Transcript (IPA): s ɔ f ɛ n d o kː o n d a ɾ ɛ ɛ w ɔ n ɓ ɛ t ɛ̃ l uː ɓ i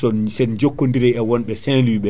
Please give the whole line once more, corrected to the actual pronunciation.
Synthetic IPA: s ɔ s ɛ n d͡ʒ o kː o n d i ɾ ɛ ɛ w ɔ n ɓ ɛ s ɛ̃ l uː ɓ ɛ